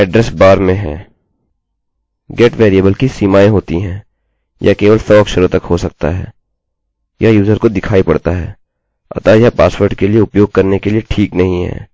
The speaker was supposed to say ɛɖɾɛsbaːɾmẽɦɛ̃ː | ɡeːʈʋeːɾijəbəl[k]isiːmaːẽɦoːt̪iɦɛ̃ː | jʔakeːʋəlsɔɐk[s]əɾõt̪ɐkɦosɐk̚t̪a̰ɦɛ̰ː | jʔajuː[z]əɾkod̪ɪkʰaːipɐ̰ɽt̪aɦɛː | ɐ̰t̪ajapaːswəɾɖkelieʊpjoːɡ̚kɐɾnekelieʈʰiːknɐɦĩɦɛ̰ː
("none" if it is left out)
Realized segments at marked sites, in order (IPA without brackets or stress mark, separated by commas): k, ʃ, z